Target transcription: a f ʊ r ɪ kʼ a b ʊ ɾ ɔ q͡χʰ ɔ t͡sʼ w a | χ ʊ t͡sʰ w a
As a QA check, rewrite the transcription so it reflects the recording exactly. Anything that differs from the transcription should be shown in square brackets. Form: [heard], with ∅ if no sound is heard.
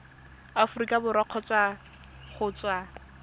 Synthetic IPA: a f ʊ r [i] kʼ a b ʊ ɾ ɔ q͡χʰ ɔ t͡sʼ w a | χ ʊ [t͡s] w a